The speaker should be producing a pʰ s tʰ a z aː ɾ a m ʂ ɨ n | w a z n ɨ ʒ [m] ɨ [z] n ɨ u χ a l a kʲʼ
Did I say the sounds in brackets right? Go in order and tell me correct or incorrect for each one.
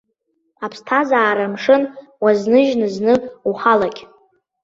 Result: incorrect: n, correct

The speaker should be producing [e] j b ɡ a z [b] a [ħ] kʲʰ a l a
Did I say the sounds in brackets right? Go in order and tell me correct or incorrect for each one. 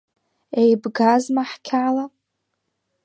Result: correct, incorrect: m, correct

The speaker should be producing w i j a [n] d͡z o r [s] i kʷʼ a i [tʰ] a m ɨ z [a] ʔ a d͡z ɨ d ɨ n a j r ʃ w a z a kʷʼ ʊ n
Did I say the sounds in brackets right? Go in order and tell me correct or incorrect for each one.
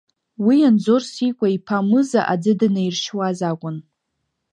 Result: correct, correct, incorrect: pʰ, correct

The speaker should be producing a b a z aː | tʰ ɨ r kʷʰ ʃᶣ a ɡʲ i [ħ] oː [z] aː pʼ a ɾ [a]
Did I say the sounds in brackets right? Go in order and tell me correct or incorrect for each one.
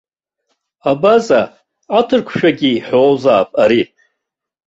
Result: correct, correct, incorrect: i

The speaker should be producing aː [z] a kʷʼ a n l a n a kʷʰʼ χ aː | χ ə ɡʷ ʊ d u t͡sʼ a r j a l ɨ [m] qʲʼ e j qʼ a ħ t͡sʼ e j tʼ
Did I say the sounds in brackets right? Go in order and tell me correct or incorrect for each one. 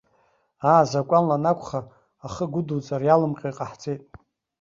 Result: correct, correct

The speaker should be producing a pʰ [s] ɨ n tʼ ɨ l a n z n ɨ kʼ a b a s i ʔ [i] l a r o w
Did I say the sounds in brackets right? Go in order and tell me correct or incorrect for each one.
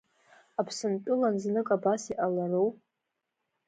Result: correct, incorrect: a

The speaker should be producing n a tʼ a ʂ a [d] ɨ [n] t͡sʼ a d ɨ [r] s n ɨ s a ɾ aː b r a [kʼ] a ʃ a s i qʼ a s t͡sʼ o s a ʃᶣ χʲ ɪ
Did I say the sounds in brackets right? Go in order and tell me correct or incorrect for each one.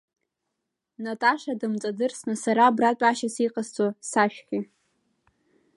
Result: correct, incorrect: m, correct, incorrect: tʼ

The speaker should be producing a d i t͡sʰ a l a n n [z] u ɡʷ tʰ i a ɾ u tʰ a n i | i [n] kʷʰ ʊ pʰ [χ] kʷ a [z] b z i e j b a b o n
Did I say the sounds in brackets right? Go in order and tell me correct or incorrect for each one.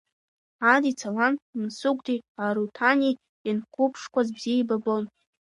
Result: incorrect: s, correct, incorrect: ʂ, correct

